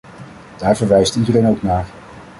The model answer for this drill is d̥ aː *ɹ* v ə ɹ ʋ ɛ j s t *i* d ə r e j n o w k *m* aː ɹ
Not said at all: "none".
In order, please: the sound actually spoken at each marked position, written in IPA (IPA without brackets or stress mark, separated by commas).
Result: ɹ, i, n